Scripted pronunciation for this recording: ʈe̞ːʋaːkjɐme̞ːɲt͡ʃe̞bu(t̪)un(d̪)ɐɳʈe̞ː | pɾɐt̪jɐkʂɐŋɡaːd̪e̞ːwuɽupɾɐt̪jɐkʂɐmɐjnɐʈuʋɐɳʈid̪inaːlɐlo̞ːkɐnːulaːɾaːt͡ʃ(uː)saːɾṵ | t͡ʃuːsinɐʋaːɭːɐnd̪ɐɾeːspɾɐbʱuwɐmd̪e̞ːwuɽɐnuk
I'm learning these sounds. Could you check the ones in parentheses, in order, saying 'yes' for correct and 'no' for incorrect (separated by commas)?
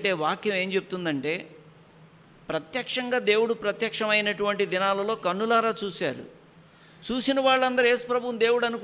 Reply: yes, yes, yes